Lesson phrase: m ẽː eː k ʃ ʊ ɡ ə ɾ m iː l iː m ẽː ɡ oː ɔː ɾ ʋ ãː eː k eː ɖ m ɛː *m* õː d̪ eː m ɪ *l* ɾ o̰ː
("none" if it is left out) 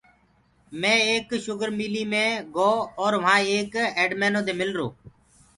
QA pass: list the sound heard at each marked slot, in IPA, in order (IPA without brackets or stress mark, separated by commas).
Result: n, l